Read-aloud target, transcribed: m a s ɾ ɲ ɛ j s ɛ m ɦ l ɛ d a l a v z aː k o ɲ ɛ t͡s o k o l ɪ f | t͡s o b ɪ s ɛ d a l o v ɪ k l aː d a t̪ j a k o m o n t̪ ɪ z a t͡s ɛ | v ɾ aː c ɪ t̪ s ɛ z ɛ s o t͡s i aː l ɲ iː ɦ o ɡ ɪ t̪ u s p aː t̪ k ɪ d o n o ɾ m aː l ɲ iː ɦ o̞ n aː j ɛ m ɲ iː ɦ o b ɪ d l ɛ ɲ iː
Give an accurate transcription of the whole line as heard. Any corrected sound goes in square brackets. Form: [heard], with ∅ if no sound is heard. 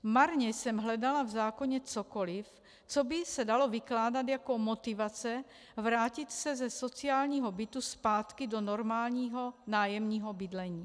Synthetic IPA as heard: m a [∅] ɾ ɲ ɛ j s ɛ m ɦ l ɛ d a l a v z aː k o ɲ ɛ t͡s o k o l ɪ f | t͡s o b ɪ s ɛ d a l o v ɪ k l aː d a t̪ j a k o m o [∅] t̪ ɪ [v] a t͡s ɛ | v ɾ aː c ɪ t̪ s ɛ z ɛ s o t͡s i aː l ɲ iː ɦ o [b] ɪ t̪ u s p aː t̪ k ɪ d o n o ɾ m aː l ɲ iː ɦ o̞ n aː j ɛ m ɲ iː ɦ o b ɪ d l ɛ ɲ iː